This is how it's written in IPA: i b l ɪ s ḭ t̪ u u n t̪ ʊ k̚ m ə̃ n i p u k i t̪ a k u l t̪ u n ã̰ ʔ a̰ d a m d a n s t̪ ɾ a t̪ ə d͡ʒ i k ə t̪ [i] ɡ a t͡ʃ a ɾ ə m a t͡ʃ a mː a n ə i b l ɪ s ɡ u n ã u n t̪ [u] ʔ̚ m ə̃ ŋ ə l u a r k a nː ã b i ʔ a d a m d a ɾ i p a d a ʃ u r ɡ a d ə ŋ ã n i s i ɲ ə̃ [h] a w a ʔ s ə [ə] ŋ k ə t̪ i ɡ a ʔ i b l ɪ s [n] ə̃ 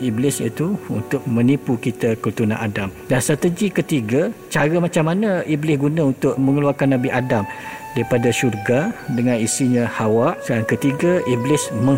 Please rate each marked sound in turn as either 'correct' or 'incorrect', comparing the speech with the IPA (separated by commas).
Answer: correct, incorrect, correct, incorrect, incorrect